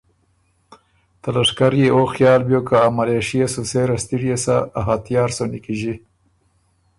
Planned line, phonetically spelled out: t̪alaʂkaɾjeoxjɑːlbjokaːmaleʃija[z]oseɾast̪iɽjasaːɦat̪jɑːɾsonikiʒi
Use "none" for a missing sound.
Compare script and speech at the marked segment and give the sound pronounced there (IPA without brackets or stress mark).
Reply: s